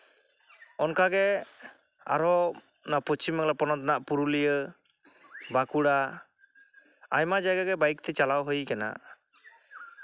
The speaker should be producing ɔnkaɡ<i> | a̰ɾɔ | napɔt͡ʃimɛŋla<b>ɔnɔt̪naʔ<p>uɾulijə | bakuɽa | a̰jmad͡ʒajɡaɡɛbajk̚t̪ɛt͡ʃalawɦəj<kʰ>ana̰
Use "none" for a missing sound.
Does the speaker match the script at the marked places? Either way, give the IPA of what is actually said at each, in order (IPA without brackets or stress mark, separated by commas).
ɛ, p, p, k